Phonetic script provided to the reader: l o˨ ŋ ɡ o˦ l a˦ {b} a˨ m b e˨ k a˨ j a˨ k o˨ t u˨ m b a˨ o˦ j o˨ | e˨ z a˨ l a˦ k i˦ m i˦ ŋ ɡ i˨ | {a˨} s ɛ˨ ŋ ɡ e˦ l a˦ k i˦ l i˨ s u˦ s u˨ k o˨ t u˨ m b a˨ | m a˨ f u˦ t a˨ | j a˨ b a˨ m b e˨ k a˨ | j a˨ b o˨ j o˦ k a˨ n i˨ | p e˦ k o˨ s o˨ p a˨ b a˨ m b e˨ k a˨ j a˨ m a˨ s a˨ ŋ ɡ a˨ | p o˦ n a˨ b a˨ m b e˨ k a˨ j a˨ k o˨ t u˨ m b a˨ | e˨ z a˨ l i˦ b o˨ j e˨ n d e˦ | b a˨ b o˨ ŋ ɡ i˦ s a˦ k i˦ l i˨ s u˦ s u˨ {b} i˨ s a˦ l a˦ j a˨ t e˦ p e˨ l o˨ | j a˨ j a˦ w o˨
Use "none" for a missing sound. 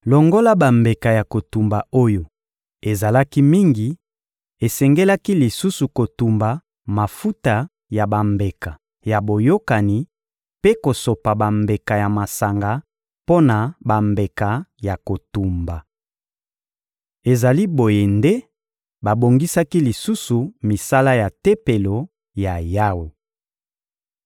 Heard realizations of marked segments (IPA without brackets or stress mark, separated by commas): b, e˨, m